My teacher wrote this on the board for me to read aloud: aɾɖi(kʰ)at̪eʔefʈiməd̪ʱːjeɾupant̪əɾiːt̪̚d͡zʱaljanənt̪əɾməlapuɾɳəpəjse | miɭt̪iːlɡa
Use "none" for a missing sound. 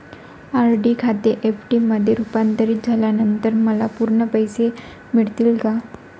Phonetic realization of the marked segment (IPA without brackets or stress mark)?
kʰ